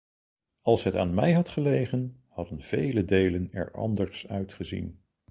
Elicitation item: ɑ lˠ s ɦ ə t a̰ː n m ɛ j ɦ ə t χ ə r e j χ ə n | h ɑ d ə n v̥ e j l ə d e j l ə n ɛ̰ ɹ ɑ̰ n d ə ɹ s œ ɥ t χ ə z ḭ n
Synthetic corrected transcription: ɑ lˠ s ɦ ə t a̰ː n m ɛ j ɦ ɑ t χ ə l e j χ ə n | h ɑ d ə n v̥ e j l ə d e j l ə n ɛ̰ ɹ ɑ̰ n d ə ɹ s œ ɥ t χ ə z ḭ n